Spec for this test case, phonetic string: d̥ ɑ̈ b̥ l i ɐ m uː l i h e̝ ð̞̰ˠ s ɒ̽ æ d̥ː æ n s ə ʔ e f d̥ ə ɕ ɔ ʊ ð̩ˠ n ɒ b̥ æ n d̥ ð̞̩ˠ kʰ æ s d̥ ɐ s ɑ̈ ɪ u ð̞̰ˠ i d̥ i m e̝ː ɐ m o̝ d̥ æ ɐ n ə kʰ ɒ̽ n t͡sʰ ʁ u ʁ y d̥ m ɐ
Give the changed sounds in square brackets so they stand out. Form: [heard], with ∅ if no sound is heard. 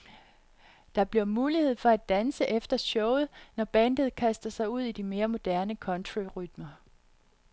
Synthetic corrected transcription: d̥ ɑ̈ b̥ l i ɐ m uː l i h e̝ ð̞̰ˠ [f] ɒ̽ æ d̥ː æ n s ə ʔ e f d̥ [ɐ] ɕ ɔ ʊ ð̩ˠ n ɒ b̥ æ n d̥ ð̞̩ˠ kʰ æ s d̥ ɐ s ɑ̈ ɪ u ð̞̰ˠ i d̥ i m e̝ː ɐ m o̝ d̥ æ ɐ n ə kʰ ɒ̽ n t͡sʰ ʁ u ʁ y d̥ m ɐ